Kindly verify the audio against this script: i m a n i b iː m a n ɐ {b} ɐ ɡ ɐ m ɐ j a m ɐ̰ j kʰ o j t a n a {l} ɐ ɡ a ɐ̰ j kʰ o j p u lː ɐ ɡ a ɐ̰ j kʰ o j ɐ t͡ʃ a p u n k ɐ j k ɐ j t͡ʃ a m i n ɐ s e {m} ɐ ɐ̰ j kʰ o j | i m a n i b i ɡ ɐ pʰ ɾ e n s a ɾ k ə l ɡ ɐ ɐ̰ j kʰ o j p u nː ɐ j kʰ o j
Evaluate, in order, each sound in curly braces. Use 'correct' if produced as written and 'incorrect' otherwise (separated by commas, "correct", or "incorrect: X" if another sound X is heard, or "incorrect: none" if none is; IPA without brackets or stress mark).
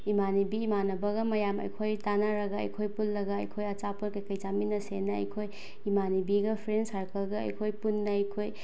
correct, incorrect: ɾ, incorrect: n